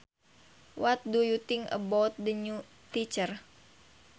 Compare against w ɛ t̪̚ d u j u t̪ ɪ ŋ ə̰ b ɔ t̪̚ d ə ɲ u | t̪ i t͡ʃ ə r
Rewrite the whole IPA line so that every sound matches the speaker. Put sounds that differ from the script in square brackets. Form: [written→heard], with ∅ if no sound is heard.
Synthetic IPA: w [ɛ→a] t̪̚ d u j u t̪ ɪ ŋ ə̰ b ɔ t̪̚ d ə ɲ u | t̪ i t͡ʃ ə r